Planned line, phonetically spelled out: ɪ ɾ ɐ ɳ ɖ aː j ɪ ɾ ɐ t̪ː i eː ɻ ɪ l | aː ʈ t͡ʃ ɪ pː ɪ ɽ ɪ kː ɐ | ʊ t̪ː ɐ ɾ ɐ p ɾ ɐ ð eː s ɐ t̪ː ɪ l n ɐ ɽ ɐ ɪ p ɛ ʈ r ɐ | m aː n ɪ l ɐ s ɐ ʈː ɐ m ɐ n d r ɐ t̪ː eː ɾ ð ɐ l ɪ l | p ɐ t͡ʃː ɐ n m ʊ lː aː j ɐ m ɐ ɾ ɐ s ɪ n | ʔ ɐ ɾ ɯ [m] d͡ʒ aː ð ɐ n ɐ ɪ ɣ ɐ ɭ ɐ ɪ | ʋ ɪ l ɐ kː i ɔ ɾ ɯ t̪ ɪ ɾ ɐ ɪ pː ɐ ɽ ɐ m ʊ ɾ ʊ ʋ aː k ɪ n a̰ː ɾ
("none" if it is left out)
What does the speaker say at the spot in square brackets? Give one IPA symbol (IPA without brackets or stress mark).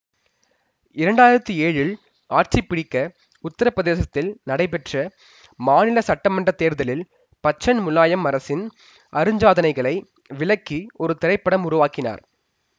ɲ